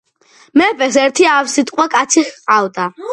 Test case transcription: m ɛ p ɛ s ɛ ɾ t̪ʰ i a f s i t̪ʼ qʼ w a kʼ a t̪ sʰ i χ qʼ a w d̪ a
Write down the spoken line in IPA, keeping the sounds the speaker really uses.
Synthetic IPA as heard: m ɛ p ɛ s ɛ ɾ t̪ʰ i a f s i t̪ʼ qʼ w a kʼ a t̪ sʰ i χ qʼ a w d̪ a